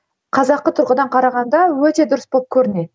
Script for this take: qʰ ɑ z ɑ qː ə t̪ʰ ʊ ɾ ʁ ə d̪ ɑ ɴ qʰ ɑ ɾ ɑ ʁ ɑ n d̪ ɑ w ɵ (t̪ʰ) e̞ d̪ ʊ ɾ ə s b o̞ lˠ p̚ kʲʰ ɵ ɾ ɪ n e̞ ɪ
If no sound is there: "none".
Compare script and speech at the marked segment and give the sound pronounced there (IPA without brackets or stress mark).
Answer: t̪